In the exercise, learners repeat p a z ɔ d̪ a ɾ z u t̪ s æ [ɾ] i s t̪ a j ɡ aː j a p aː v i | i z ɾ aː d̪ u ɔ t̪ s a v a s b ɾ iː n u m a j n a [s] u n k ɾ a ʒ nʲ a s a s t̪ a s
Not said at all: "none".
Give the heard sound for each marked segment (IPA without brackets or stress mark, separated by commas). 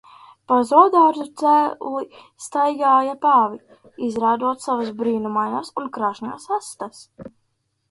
l, s